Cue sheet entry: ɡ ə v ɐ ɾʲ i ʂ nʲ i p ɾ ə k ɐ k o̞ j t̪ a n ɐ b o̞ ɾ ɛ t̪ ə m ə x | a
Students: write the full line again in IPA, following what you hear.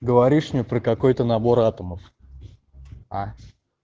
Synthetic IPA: ɡ ə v ɐ ɾʲ i ʂ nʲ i p ɾ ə k ɐ k o̞ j t̪ ə n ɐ b o̞ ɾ a t̪ ə m ə f | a